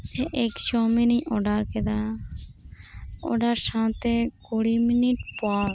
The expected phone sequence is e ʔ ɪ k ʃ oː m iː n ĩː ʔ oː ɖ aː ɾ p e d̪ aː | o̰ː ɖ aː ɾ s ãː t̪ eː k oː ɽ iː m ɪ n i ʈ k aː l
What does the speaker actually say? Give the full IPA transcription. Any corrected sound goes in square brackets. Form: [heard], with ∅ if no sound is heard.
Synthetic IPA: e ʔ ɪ k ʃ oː m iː n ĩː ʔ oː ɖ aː ɾ [k] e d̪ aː | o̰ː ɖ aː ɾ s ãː t̪ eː k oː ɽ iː m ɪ n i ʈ [p] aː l